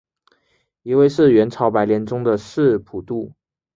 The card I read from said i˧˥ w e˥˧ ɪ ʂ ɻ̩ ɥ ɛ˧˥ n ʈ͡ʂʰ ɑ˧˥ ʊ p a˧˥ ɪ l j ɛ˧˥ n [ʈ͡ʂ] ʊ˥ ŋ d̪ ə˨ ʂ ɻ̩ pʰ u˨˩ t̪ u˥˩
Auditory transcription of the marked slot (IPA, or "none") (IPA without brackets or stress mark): ʈ͡ʂ